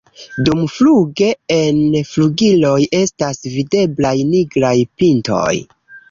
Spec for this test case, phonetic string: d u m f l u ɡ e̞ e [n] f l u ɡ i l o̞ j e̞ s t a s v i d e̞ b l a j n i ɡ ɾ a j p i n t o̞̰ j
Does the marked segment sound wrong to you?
no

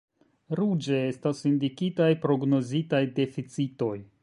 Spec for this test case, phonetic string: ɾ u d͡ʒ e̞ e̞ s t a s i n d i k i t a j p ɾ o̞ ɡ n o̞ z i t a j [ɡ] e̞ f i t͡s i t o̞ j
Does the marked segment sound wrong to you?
yes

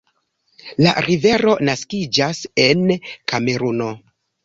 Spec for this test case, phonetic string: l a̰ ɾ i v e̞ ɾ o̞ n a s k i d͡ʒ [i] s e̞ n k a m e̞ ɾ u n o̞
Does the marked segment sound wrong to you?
yes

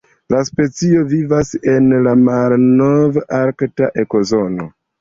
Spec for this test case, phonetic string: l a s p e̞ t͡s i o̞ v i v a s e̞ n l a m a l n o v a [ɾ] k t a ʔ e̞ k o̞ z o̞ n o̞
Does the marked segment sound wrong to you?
no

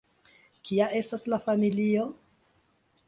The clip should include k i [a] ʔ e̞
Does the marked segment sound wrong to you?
no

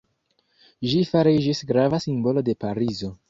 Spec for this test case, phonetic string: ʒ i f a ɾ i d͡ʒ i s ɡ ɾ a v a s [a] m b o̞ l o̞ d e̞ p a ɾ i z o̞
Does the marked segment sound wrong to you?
yes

